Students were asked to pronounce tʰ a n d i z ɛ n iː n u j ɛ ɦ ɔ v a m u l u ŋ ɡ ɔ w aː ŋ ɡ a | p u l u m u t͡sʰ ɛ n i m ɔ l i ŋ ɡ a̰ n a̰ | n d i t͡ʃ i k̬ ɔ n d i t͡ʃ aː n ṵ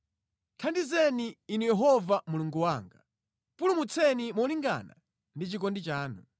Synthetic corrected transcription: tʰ a n d i z ɛ n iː n u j ɛ ɦ ɔ v a m u l u ŋ ɡ u w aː ŋ ɡ a | p u l u m u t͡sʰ ɛ n i m ɔ l i ŋ ɡ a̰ n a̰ | n d i t͡ʃ i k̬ ɔ n d i t͡ʃ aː n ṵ